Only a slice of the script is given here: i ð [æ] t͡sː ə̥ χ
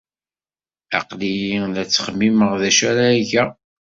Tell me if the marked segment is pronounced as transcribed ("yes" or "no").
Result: yes